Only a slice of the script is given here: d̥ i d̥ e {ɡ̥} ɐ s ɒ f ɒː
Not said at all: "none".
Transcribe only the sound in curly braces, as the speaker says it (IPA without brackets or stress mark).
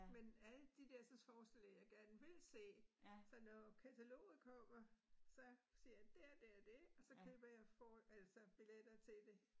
none